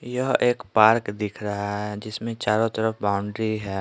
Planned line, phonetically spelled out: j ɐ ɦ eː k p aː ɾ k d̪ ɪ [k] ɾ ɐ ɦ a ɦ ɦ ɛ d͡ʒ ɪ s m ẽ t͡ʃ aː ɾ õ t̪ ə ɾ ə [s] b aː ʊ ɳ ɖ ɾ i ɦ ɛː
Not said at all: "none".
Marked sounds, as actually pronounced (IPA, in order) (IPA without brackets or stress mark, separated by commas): kʰ, f